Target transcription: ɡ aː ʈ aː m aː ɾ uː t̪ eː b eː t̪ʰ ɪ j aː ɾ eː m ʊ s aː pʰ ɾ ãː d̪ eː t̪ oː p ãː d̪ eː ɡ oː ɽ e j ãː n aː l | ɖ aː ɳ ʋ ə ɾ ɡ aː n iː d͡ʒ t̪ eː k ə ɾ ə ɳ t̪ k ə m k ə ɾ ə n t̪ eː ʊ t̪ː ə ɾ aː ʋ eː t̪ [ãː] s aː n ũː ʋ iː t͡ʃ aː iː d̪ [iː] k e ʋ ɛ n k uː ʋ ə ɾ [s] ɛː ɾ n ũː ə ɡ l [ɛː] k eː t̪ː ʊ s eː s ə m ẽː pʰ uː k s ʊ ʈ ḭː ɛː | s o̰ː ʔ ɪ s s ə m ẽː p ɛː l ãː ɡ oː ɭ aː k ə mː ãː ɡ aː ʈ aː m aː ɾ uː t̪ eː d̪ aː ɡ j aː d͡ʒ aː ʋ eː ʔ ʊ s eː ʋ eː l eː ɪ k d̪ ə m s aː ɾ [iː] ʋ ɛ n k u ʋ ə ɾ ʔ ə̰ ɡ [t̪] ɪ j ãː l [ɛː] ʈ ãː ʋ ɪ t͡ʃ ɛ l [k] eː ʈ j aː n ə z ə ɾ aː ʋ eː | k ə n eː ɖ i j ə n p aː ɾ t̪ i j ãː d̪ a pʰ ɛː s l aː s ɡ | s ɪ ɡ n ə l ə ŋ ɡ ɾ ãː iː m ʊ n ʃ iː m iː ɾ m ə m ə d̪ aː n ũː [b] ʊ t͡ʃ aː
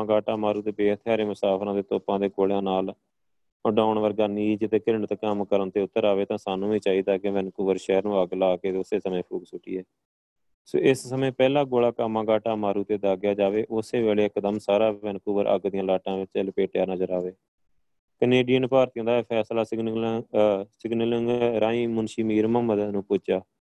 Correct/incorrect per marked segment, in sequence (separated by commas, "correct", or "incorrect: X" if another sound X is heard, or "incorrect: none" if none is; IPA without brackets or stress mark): correct, incorrect: aː, incorrect: ʃ, incorrect: aː, incorrect: aː, incorrect: d̪, incorrect: aː, incorrect: p, incorrect: p